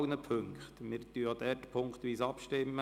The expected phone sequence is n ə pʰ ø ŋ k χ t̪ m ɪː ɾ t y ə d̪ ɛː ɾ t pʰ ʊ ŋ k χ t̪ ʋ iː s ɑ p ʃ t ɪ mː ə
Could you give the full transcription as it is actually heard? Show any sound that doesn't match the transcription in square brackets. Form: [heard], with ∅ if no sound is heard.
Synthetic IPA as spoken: n ə pʰ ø ŋ k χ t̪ m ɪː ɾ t y [ɑ] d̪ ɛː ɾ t pʰ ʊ ŋ k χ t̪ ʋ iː s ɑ p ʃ t ɪ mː ə